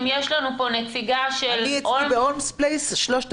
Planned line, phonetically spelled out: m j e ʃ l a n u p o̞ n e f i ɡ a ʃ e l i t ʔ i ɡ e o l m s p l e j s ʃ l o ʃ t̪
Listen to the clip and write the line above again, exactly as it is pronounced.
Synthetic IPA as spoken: m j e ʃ l a n u p o̞ n e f i ɡ a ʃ e l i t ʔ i b e o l m s p l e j s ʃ l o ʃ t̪

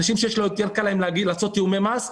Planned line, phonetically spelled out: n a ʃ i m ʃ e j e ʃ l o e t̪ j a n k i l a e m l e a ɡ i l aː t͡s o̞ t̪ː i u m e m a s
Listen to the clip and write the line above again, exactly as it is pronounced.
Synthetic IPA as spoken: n a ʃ i m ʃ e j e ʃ l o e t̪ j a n k a l a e m l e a ɡ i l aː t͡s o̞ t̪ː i u m e m a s

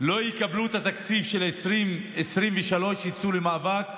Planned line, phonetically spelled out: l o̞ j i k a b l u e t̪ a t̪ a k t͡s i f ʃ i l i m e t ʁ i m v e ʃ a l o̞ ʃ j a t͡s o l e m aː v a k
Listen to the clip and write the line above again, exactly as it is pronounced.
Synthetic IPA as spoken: l o̞ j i k a b l u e t̪ a t̪ a k t͡s i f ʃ e l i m e s ʁ i m v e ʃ a l o̞ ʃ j i t͡s u l e m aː v a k

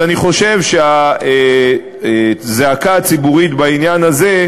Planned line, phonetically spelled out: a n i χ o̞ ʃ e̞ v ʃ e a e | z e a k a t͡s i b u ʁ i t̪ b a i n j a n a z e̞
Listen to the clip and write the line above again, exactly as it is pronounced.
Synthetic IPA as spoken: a n i χ o̞ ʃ e̞ v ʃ e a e | z e a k a t͡s i b u ʁ i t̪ b a i n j a n a z e̞

